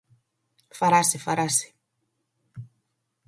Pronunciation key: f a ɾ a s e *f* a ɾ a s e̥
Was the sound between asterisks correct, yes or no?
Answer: yes